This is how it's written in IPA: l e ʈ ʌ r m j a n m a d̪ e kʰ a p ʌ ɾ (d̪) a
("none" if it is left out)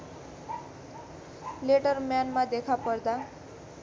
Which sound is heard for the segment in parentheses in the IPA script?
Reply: d̪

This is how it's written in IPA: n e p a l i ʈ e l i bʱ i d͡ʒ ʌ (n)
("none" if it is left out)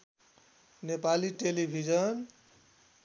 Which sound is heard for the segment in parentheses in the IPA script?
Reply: n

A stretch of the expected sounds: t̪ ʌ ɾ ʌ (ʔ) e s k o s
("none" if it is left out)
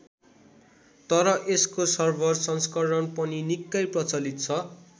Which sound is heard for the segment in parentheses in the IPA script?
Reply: ʔ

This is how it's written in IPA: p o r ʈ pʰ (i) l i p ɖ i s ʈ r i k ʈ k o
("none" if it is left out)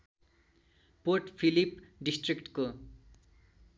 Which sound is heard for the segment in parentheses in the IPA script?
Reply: i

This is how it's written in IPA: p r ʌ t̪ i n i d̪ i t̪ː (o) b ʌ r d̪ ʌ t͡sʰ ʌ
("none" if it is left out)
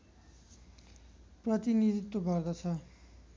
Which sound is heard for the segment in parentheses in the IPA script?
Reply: o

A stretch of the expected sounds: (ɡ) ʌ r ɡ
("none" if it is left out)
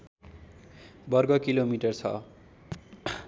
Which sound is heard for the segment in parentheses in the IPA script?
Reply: b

